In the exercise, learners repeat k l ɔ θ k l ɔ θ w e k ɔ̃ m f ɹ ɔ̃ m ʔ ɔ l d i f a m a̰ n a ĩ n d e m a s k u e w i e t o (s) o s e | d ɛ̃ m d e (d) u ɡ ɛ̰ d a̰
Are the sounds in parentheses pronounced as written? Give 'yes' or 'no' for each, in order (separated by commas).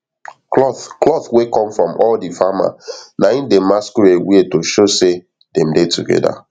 no, no